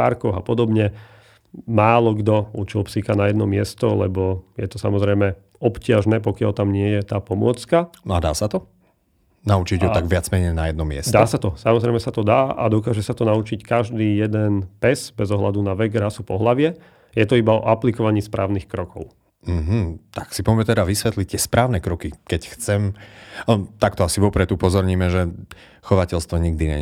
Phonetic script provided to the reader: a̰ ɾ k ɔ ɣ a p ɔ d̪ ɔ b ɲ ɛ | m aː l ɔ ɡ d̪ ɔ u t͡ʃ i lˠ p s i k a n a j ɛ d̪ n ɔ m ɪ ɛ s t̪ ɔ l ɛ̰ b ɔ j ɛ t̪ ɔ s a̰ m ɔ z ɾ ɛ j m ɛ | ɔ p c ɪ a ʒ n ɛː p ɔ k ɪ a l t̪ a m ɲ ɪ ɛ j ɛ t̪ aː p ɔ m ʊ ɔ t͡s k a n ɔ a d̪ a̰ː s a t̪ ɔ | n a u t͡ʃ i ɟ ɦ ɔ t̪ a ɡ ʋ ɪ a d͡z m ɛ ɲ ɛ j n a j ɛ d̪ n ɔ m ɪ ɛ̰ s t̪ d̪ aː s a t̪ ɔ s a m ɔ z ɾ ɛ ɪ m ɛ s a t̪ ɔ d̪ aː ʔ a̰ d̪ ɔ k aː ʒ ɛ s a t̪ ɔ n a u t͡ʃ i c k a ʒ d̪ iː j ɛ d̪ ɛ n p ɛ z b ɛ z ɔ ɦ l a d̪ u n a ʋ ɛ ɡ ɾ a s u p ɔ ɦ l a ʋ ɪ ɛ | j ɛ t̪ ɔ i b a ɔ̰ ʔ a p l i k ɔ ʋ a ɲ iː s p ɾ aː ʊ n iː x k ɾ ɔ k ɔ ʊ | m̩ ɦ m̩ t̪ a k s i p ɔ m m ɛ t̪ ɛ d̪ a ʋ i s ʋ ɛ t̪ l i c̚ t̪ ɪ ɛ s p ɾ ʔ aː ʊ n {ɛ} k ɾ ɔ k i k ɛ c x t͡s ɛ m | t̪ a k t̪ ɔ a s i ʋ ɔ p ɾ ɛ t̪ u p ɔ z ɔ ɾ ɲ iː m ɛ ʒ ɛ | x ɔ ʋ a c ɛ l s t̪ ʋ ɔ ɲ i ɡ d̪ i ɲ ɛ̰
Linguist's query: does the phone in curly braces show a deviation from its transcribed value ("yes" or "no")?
no